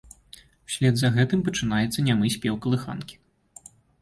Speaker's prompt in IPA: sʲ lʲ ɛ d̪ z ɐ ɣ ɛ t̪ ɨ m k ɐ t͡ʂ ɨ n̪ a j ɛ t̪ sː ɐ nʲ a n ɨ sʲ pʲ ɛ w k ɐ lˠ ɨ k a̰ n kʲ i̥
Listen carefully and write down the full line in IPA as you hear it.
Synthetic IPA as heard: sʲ lʲ ɛ d̪ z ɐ ɣ ɛ t̪ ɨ m p ɐ t͡ʂ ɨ n̪ a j ɛ t̪ sː ɐ nʲ a m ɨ sʲ pʲ ɛ w k ɐ lˠ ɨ x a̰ n kʲ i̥